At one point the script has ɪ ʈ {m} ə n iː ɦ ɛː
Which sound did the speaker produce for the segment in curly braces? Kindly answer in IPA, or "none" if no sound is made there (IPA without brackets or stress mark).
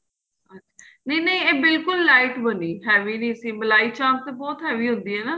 b